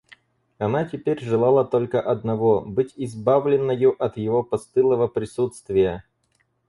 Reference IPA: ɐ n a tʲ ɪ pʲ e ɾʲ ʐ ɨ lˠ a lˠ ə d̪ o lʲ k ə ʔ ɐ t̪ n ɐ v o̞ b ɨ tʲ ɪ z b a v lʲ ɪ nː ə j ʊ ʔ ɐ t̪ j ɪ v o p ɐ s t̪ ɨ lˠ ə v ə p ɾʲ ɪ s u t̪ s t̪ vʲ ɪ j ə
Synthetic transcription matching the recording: ɐ n a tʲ ɪ pʲ e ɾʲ ʐ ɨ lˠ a lˠ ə t̪ o lʲ k ə ʔ ɐ d̪ n ɐ v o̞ b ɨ tʲ ɪ z b a v lʲ ɪ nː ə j ʊ ʔ ɐ t̪ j ɪ v o p ɐ s t̪ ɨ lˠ ə v ə p ɾʲ ɪ s u t̪ s t̪ vʲ ɪ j ə